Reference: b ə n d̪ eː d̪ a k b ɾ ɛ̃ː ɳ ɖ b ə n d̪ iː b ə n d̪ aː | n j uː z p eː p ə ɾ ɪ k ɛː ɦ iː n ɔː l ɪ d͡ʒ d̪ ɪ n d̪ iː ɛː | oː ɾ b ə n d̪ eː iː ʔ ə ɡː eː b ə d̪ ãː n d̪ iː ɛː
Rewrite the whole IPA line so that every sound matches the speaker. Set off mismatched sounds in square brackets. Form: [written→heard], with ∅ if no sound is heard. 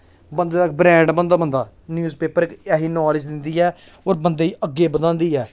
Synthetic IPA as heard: b ə n d̪ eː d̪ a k b ɾ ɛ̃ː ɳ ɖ b ə n d̪ [iː→aː] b ə n d̪ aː | n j uː z p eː p ə ɾ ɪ k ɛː ɦ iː n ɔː l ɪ d͡ʒ d̪ ɪ n d̪ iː ɛː | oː ɾ b ə n d̪ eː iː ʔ ə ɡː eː b ə d̪ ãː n d̪ iː ɛː